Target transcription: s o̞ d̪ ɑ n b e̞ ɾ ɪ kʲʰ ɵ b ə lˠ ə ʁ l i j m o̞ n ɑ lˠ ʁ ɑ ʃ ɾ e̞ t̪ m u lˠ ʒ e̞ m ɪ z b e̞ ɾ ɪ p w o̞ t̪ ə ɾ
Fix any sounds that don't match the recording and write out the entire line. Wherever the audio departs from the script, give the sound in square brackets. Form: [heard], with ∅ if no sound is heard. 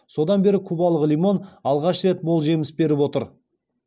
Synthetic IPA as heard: s o̞ d̪ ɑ n b e̞ ɾ ɪ kʲʰ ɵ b [ɑ] lˠ ə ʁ l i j m o̞ n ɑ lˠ ʁ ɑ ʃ ɾ e̞ t̪ m [o] lˠ ʒ e̞ m ɪ [s] b e̞ ɾ ɪ p w o̞ t̪ ə ɾ